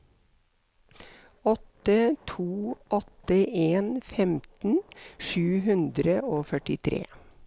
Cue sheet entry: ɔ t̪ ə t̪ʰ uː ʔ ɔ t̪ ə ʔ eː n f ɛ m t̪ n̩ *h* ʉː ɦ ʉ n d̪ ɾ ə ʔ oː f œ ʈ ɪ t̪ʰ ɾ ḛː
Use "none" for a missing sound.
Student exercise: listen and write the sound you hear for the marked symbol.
ʃ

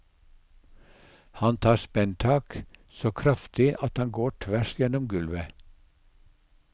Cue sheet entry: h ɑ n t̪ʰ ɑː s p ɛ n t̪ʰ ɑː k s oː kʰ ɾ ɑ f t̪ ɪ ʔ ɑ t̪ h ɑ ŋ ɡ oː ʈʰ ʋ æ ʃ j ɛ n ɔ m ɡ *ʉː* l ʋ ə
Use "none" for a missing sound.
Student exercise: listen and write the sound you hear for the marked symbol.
ʉ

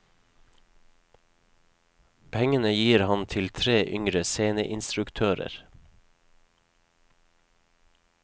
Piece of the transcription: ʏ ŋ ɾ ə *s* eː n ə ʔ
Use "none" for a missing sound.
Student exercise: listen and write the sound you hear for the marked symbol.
s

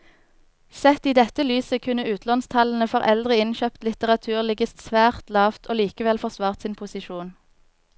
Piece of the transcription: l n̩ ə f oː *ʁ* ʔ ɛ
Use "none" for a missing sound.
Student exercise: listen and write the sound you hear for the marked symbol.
ʁ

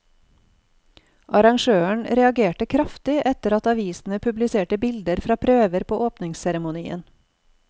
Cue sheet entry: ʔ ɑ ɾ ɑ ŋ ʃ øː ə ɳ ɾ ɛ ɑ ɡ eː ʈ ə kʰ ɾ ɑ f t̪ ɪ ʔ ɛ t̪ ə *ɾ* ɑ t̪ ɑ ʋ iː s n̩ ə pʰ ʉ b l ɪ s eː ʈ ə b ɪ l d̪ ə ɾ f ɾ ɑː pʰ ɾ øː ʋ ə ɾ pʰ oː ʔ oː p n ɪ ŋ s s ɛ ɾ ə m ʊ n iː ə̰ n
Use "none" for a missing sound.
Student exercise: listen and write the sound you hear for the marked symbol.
ɾ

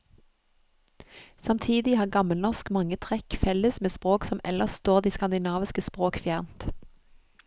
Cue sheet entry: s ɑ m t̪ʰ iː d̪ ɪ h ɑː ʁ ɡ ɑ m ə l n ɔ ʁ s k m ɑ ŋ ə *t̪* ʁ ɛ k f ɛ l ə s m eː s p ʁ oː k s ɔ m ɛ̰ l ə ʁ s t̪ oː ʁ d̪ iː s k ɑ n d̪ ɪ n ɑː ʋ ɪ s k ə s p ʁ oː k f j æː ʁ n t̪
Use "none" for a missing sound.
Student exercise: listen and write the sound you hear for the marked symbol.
t̪ʰ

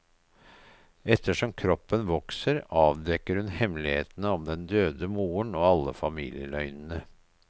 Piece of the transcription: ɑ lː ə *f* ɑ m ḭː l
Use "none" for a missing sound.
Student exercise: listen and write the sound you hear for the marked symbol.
f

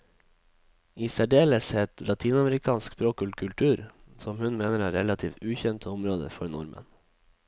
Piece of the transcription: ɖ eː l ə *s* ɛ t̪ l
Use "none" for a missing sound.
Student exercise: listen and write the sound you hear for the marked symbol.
s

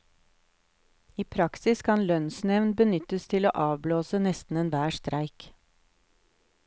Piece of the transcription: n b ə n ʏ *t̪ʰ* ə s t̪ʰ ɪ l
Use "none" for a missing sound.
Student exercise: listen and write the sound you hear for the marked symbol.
t̪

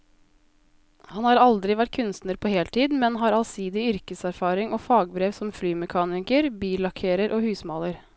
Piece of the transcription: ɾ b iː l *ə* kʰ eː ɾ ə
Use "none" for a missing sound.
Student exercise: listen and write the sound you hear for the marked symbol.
ɑ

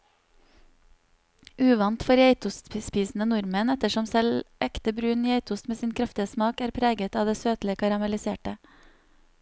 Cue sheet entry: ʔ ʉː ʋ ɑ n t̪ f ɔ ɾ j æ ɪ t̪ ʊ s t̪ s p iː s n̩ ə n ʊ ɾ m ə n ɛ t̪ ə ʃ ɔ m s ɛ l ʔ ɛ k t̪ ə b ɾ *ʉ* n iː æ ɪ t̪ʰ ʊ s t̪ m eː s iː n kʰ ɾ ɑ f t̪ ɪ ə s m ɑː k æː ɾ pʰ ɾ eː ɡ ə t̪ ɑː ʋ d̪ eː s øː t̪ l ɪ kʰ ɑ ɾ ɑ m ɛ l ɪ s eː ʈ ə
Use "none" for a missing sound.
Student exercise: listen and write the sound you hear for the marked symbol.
ʉː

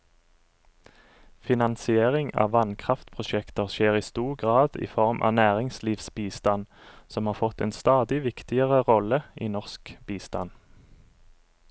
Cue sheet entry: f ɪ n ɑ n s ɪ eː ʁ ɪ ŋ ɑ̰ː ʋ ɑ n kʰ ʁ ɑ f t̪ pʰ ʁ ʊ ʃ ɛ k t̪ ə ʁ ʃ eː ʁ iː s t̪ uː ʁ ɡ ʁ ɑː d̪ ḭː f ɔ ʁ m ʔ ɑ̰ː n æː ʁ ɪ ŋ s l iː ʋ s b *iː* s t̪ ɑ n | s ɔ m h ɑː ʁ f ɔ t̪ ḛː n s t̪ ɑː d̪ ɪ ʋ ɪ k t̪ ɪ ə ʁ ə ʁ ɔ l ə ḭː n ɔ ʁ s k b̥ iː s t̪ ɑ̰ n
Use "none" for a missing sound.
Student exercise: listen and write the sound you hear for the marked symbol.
iː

